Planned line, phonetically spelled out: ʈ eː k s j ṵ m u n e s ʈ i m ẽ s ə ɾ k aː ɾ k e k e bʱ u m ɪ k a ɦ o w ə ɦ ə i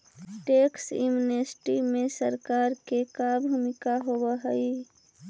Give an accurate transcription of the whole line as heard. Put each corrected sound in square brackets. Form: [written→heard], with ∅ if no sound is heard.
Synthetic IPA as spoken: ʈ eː k s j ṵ m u n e s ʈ i m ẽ s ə ɾ k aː ɾ k e k [e→a] bʱ u m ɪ k a ɦ o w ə ɦ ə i